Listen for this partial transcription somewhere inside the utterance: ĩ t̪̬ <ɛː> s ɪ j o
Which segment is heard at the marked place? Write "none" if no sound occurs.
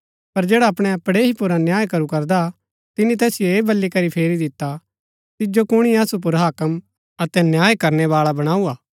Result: ɛː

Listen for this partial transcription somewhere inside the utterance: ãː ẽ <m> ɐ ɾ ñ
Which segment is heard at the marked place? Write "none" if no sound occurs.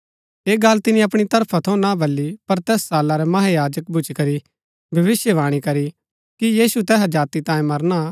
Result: m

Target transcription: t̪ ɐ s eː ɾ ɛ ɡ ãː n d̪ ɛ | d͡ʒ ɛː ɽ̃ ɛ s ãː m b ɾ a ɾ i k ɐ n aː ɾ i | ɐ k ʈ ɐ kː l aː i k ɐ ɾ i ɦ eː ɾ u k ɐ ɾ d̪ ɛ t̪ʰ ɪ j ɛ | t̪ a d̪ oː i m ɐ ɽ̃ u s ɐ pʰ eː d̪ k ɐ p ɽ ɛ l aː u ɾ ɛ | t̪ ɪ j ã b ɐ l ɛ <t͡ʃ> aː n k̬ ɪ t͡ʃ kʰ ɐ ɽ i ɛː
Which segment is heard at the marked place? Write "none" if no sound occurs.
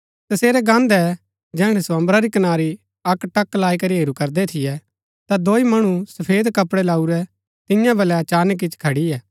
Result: t͡ʃ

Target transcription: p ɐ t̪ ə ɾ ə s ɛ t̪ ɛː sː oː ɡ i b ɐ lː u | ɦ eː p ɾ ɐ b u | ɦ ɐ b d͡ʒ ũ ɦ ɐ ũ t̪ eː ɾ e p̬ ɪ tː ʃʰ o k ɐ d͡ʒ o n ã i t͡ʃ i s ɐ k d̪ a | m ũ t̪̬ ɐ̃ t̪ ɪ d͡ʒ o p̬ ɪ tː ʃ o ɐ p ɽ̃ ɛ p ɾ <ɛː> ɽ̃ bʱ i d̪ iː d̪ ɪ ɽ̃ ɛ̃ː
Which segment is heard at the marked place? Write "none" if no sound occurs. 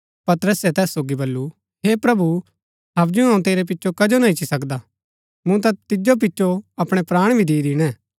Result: aː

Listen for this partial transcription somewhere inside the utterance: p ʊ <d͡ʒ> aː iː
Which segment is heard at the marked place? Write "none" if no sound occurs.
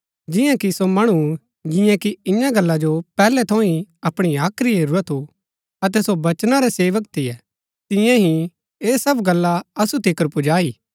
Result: d͡ʒ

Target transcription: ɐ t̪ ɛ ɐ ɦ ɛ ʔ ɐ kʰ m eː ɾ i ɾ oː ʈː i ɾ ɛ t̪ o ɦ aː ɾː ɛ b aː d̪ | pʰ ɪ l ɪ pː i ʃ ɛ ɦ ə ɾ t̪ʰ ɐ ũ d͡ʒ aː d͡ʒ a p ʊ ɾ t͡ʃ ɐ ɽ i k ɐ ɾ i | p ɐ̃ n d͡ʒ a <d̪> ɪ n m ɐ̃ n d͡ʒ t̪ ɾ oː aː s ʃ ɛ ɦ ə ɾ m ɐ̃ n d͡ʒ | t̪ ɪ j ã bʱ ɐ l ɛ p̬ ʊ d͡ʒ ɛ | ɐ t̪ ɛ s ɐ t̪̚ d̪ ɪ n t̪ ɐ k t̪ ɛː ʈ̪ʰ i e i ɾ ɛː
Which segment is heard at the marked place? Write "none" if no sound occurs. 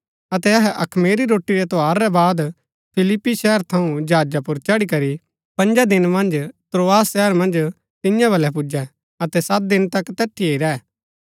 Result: d̪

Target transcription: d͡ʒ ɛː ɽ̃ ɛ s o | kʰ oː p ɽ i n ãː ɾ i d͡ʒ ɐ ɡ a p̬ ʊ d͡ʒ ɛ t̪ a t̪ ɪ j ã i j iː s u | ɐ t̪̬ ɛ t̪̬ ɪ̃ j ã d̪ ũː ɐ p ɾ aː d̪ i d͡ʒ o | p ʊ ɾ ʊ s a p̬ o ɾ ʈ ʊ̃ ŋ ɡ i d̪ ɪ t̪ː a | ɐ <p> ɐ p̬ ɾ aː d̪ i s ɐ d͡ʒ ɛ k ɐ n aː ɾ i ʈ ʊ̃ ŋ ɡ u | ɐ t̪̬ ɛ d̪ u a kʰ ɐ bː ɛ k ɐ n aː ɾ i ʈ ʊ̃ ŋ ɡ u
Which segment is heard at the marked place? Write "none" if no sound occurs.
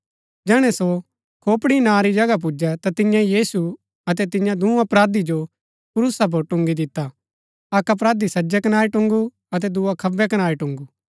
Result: k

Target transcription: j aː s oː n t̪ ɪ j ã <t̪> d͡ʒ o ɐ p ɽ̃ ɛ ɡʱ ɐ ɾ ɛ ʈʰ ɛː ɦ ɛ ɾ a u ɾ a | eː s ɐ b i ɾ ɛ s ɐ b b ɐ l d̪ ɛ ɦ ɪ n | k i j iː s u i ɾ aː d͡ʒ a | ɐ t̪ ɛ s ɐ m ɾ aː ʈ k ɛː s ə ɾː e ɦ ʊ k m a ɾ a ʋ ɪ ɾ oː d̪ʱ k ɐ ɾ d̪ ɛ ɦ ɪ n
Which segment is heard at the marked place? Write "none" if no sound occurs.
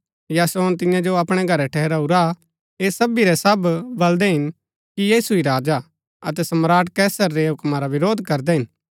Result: none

